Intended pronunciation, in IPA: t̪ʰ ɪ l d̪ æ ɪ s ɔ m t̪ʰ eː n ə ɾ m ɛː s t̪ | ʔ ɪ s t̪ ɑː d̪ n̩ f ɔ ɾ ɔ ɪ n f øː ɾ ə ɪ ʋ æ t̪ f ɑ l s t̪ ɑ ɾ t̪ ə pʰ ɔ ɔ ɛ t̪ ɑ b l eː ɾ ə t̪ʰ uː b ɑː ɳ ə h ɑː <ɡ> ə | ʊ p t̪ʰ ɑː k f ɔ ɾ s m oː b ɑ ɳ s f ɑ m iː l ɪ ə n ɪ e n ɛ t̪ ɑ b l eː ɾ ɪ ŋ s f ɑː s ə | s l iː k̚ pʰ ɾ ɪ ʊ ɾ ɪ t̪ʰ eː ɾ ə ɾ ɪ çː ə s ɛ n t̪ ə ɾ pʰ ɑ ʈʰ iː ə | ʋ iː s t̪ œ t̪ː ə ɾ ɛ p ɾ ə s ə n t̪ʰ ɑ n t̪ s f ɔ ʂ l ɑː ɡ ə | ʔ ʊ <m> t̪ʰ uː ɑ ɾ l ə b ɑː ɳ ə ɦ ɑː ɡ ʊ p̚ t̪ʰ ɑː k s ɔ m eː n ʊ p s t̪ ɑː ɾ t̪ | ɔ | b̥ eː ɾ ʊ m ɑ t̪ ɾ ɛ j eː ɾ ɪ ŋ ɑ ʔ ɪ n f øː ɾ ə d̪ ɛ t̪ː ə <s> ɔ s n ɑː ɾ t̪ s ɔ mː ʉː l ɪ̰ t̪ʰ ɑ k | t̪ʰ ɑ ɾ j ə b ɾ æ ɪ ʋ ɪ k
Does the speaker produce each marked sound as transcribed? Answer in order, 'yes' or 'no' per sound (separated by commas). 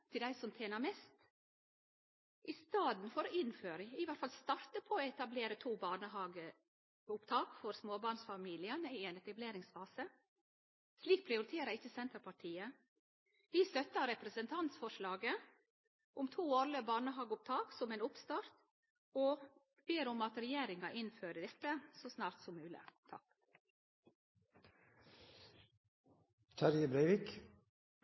yes, yes, yes